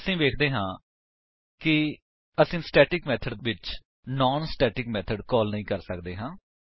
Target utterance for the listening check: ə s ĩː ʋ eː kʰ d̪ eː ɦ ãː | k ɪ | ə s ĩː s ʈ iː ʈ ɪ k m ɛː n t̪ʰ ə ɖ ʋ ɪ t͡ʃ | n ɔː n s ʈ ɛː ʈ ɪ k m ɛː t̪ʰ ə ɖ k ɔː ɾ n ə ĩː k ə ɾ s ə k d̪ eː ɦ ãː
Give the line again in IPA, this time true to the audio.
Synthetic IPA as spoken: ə s ĩː ʋ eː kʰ d̪ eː ɦ ãː | k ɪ | ə s ĩː s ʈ ɛː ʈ ɪ k m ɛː t̪ʰ ə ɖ ʋ ɪ t͡ʃ | n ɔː n s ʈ ɛː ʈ ɪ k m ɛː t̪ʰ ə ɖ k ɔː l n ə ĩː k ə ɾ s ə k d̪ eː ɦ ãː

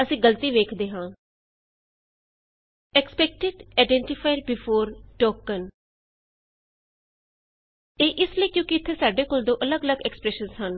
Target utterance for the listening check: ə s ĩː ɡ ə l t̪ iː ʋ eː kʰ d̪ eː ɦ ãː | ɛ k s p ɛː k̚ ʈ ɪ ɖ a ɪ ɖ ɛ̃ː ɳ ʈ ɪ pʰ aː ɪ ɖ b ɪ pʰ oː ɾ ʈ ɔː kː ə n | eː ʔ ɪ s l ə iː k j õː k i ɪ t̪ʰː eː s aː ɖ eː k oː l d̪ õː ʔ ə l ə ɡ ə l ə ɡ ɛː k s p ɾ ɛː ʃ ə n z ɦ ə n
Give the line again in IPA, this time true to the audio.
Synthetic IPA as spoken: ə s ĩː ɡ ə l t̪ iː ʋ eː kʰ d̪ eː ɦ ãː | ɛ k s p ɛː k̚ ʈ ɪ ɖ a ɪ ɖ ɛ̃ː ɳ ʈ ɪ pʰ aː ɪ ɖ b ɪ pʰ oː ɾ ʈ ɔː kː ə n | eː ʔ ɪ s l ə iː k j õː k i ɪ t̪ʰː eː s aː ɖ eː k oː l d̪ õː ʔ ə l ə ɡ ə l ə ɡ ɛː k s p ɾ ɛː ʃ ə n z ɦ ə n

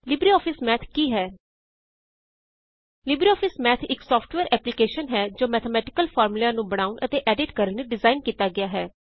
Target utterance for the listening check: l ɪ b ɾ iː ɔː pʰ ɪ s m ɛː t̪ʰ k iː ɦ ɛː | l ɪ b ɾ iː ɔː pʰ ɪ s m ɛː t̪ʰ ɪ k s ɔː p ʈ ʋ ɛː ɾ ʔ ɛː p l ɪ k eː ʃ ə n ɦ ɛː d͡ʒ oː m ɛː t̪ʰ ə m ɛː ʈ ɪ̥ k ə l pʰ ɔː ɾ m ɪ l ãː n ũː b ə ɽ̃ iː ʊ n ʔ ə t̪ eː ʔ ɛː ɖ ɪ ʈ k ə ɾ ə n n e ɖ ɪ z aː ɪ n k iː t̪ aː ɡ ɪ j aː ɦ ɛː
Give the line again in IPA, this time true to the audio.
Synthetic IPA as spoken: l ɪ b ɾ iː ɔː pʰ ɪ s m ɛː t̪ʰ k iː ɦ ɛː | l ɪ b ɾ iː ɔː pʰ ɪ s m ɛː t̪ʰ ɪ k s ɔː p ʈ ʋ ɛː ɾ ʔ ɛː p l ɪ k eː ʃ ə n ɦ ɛː d͡ʒ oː m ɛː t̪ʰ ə m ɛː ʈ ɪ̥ k ə l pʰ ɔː ɾ m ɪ l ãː n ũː b ə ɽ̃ aː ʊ n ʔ ə t̪ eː ʔ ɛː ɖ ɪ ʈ k ə ɾ ə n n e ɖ ɪ z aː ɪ n k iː t̪ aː ɡ ɪ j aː ɦ ɛː

